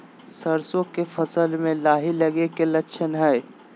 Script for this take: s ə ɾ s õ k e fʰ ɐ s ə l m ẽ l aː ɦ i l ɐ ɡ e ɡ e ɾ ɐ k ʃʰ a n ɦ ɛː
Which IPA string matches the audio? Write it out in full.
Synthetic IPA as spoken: s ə ɾ s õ k e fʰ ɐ s ə l m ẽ l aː ɦ i l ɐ ɡ e k e l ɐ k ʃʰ ə n ɦ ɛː